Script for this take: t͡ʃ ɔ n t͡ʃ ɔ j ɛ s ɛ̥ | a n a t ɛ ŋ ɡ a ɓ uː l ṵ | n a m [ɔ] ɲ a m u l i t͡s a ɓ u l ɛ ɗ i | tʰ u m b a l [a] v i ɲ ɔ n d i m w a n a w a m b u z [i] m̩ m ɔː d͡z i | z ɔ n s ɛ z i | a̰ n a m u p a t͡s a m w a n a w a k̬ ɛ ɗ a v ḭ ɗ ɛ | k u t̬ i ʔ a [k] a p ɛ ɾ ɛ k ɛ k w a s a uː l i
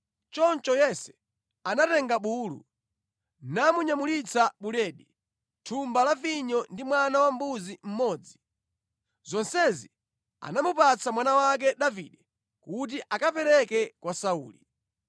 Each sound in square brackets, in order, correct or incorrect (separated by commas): incorrect, correct, correct, correct